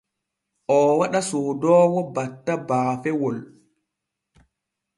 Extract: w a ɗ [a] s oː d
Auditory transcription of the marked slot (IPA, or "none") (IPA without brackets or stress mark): a